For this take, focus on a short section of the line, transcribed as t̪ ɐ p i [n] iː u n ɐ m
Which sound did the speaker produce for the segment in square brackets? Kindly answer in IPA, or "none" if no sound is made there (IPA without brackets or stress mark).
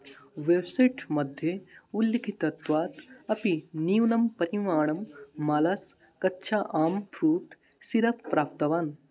n